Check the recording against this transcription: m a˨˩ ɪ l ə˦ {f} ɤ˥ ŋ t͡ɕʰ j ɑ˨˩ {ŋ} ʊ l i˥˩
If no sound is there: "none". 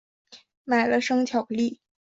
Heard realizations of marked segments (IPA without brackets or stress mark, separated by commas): ʂ, none